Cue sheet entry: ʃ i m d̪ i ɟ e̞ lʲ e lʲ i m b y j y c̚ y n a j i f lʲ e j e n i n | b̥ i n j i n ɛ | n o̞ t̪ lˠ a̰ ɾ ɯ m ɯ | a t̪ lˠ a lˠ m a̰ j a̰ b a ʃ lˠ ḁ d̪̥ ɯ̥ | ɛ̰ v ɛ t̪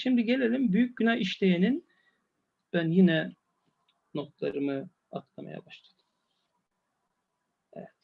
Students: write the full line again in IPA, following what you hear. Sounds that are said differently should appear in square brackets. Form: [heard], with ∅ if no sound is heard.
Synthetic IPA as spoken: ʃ i m d̪ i ɟ e̞ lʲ e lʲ i m b y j y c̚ y n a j i [ʃ] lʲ e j e n i n | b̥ [æ] n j i n ɛ | n o̞ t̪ lˠ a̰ ɾ ɯ m ɯ | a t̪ lˠ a [∅] m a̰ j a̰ b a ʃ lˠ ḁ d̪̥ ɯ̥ | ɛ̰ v ɛ t̪